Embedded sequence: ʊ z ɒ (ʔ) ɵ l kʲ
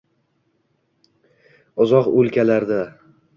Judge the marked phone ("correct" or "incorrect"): incorrect